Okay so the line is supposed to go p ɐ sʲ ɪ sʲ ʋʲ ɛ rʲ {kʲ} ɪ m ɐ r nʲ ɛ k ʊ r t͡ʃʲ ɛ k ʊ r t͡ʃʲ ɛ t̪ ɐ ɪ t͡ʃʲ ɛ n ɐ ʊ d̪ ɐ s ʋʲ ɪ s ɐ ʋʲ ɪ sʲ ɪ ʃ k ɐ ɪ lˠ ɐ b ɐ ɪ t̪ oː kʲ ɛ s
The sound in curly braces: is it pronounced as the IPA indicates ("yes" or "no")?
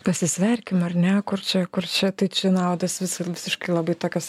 yes